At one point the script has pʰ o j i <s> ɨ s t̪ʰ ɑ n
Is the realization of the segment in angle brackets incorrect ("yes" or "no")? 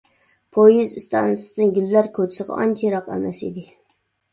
yes